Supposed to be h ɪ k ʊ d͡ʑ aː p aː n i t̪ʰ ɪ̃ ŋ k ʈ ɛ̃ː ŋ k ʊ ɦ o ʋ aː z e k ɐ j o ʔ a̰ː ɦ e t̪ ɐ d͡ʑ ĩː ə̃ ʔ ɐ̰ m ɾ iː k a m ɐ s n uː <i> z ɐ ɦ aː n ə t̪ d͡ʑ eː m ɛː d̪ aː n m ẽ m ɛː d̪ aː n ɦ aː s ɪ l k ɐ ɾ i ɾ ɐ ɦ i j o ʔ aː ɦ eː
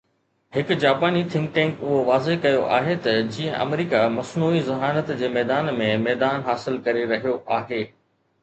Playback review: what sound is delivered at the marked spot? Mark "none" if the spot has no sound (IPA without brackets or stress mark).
i